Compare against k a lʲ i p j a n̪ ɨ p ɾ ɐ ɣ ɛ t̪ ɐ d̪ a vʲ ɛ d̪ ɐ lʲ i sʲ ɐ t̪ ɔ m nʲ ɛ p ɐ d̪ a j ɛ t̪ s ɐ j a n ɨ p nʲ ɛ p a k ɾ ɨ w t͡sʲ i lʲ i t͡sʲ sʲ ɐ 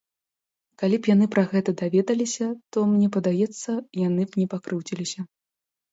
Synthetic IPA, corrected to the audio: k a lʲ i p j a n̪ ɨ p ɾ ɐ ɣ ɛ t̪ ɐ d̪ a vʲ ɛ d̪ ɐ lʲ i sʲ ɐ t̪ ɔ m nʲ ɛ p ɐ d̪ a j ɛ t̪ sː ɐ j a n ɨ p nʲ ɛ p a k ɾ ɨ w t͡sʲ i lʲ i sʲ ɐ